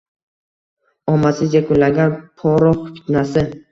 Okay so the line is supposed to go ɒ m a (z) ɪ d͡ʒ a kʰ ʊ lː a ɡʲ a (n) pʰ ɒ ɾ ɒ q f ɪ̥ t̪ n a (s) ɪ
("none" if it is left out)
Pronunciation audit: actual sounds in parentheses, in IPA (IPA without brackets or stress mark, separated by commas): s, n, s